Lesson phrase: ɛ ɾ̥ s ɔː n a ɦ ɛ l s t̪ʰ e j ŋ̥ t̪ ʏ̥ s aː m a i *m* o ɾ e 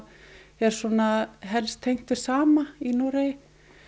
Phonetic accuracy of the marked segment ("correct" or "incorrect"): incorrect